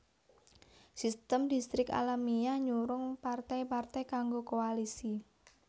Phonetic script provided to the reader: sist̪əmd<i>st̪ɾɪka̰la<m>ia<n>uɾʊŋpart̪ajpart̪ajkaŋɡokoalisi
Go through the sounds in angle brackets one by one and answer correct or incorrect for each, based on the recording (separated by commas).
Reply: correct, correct, incorrect